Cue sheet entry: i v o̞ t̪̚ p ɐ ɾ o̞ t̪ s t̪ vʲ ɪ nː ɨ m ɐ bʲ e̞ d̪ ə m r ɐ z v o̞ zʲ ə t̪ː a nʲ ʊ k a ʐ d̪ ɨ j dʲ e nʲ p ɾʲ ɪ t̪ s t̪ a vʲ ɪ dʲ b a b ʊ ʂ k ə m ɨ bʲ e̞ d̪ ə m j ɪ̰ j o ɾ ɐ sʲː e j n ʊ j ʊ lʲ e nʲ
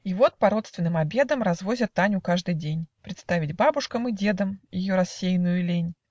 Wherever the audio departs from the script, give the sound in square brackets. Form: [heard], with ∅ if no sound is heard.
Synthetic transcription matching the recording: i v o̞ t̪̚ p ɐ ɾ o̞ t̪ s t̪ vʲ ɪ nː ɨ m ɐ bʲ e̞ d̪ ə m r ɐ z v o̞ zʲ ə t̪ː a nʲ ʊ k a ʐ d̪ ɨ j dʲ e nʲ p ɾʲ ɪ t̪ s t̪ a vʲ ɪ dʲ b a b ʊ ʂ k ə m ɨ [dʲ] e̞ d̪ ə m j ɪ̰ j o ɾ ɐ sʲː e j n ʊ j ʊ lʲ e nʲ